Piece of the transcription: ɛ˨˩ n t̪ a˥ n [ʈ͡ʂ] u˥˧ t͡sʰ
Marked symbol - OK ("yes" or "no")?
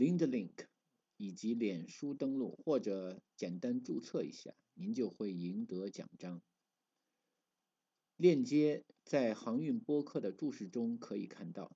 yes